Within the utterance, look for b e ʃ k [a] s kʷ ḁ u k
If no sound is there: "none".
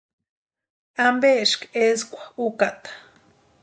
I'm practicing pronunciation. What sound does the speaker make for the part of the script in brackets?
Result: e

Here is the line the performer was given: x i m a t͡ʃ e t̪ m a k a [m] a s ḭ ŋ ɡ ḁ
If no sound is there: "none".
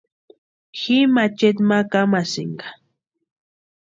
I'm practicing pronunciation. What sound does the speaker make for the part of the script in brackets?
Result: m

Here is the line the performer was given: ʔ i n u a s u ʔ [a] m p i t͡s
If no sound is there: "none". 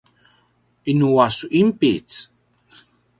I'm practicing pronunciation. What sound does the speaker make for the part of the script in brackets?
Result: i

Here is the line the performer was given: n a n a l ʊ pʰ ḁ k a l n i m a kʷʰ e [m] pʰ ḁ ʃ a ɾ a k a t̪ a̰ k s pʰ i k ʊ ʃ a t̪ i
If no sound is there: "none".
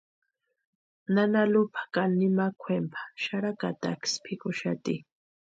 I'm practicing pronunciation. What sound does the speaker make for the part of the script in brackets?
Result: m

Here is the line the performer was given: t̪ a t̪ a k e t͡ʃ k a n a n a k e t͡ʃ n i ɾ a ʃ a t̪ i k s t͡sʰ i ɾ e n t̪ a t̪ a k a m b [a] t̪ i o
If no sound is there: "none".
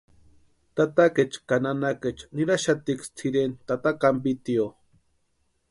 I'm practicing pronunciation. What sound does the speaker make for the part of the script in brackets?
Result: i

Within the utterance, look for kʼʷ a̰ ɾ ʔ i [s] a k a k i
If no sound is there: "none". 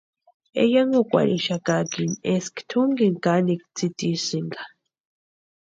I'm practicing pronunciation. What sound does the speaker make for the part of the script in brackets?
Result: ʃ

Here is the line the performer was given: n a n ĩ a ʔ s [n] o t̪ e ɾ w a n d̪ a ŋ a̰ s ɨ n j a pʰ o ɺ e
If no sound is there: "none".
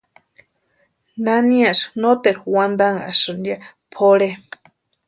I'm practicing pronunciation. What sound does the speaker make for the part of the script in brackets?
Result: n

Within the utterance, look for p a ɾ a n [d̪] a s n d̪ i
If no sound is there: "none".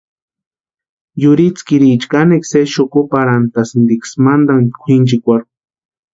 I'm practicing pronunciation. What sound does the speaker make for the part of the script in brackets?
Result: t̪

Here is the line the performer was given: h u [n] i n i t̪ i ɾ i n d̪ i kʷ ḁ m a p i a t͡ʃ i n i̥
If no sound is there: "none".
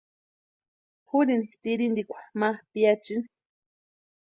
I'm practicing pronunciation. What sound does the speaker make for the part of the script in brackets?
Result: n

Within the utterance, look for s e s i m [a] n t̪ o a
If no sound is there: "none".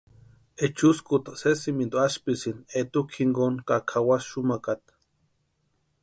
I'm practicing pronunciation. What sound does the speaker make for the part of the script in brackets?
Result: i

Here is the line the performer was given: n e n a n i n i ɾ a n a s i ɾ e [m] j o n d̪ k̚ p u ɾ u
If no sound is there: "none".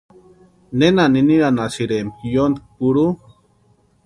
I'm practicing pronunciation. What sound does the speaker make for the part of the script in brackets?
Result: m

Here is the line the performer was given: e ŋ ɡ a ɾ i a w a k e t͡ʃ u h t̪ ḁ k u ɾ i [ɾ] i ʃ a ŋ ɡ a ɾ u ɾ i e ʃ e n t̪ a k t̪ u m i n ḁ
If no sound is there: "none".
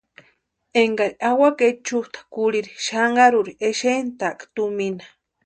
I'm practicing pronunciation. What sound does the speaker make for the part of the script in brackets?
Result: ɾ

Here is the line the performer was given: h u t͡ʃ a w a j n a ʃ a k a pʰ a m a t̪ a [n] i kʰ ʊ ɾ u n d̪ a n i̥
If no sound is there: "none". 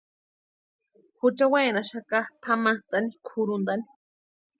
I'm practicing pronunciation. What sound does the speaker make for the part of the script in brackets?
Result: n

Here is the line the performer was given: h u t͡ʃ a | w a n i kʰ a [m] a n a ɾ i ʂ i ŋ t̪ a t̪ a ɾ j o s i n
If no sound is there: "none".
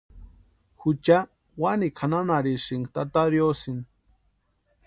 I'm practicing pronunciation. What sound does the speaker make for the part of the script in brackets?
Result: n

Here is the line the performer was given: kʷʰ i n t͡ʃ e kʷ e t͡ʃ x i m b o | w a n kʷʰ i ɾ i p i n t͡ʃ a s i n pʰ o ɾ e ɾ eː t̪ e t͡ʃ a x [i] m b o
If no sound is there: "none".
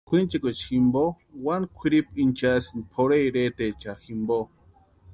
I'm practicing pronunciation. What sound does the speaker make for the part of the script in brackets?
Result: i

